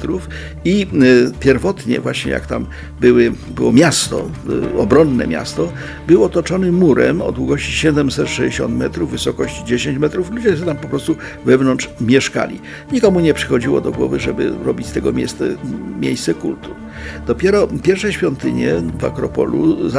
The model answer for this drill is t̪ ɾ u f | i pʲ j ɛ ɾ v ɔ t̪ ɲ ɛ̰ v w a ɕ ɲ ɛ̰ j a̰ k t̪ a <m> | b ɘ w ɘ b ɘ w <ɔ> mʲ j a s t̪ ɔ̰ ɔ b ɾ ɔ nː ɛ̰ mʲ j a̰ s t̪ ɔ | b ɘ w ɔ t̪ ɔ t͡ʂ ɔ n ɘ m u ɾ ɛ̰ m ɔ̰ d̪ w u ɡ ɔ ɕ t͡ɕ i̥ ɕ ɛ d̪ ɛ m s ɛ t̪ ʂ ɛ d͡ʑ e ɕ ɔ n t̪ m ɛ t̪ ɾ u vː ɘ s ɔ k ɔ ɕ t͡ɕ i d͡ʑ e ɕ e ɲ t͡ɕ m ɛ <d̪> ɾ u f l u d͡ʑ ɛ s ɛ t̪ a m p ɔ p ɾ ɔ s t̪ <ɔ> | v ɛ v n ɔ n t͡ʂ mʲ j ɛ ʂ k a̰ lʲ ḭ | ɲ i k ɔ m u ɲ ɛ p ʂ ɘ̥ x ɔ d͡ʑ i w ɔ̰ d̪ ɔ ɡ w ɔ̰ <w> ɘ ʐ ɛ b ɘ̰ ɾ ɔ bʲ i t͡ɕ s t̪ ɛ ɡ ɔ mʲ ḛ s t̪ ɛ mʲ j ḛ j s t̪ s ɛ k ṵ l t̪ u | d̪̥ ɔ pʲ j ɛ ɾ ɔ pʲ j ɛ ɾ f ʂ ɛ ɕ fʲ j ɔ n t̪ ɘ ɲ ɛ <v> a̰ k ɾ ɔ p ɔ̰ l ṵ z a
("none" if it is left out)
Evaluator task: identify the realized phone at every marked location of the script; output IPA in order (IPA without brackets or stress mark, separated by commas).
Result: m, ɔ, t̪, u, v, v